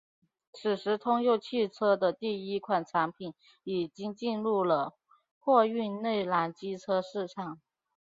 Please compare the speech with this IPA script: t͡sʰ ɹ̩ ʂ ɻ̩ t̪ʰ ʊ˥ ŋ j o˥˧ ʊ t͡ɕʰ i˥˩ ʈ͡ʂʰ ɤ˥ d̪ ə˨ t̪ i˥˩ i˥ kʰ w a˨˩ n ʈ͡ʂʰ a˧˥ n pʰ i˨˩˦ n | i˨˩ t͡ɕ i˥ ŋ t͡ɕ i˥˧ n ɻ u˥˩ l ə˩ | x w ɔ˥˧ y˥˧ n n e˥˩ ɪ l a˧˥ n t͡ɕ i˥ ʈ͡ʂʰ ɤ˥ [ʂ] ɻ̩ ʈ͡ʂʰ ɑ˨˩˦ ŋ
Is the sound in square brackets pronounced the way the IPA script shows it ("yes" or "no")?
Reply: yes